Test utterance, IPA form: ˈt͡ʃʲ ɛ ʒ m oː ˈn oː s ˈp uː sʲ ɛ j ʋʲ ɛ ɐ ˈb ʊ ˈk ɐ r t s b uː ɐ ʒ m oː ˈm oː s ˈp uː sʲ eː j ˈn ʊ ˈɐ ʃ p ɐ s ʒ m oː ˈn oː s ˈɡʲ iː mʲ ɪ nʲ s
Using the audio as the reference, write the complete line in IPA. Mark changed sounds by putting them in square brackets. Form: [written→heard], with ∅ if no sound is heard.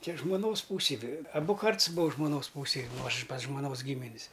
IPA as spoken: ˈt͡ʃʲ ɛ ʒ m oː ˈn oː s ˈp uː sʲ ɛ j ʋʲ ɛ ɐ ˈb ʊ ˈk ɐ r t s b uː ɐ ʒ m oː [ˈm→ˈn] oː s ˈp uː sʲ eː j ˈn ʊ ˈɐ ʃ p ɐ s ʒ m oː ˈn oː s ˈɡʲ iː mʲ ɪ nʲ s